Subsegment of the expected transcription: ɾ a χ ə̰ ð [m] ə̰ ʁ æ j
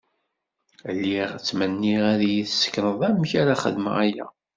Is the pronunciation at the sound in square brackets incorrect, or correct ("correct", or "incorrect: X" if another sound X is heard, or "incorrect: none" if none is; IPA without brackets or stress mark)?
correct